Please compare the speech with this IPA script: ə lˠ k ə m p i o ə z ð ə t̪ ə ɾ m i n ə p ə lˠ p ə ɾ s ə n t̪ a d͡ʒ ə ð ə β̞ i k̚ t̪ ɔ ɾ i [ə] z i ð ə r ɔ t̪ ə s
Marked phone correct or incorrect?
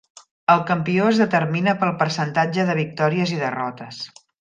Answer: correct